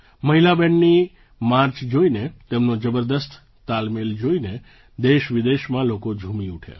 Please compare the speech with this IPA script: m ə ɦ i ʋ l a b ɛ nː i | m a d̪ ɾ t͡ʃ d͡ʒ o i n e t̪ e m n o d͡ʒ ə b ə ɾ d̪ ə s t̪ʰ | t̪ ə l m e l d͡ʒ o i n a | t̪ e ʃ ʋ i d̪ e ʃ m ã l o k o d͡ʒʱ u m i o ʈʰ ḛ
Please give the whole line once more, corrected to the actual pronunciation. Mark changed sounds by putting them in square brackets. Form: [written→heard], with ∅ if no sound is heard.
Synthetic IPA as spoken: m ə ɦ i [ʋ→∅] l a b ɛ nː i | m a [d̪→∅] ɾ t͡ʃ d͡ʒ o i n e t̪ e m n o d͡ʒ ə b ə ɾ d̪ ə s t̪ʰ | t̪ [ə→a] l m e l d͡ʒ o i n [a→e] | [t̪→d̪] e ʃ ʋ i d̪ e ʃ m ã l o k o d͡ʒʱ u m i [o→u] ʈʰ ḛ